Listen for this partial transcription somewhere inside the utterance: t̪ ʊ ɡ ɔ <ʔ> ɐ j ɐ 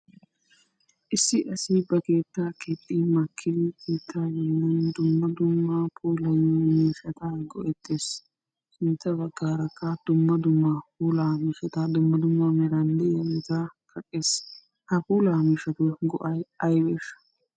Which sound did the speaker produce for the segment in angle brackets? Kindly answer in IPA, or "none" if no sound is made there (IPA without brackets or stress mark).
ʔ